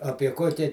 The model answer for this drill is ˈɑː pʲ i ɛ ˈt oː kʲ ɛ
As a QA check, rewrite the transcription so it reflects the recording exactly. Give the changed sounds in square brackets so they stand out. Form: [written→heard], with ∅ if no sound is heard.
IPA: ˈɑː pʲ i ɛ [ˈt→ˈk] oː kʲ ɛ